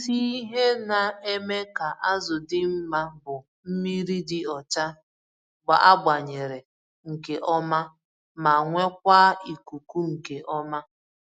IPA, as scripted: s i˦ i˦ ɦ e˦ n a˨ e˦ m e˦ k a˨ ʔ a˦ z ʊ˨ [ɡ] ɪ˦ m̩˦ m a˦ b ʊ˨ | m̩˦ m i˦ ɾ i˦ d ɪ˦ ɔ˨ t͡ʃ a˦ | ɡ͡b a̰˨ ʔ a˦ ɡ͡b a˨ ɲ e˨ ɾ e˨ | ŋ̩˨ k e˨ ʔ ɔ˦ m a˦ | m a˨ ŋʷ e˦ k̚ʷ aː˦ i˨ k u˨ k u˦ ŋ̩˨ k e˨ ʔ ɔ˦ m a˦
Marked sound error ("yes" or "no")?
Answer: yes